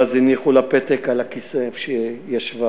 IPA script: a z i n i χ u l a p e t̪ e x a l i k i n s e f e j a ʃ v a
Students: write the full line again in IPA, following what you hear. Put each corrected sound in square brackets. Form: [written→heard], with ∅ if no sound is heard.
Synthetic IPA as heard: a z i n i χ u l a p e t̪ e [x→k] a l [i→a] k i [n→∅] s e [f→ʃ] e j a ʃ v a